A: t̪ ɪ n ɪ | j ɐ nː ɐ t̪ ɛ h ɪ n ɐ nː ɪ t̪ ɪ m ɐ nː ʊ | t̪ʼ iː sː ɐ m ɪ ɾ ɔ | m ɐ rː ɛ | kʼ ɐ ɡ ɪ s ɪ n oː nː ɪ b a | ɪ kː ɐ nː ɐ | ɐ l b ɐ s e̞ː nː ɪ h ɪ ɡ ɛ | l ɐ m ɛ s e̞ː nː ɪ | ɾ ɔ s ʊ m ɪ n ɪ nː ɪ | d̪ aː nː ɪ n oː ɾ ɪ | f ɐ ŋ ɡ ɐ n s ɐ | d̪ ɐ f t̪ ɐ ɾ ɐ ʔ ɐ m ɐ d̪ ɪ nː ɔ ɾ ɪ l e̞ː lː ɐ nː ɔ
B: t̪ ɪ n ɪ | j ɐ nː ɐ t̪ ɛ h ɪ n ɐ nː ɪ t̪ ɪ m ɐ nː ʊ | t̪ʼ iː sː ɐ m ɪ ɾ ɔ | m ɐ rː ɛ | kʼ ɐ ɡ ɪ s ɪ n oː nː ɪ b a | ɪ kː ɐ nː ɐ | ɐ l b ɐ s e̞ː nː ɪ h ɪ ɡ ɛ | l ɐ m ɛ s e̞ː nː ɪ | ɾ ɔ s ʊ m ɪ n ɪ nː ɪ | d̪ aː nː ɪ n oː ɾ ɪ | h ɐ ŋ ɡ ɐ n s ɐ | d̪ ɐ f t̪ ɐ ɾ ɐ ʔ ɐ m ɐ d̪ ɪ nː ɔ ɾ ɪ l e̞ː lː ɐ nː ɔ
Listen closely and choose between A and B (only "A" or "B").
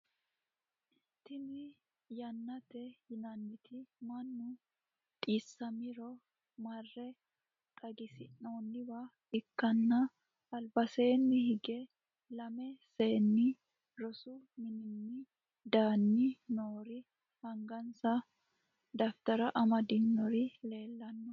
B